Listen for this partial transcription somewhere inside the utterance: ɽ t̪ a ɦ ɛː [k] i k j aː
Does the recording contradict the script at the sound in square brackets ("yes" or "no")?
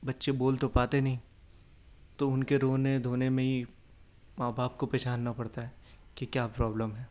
no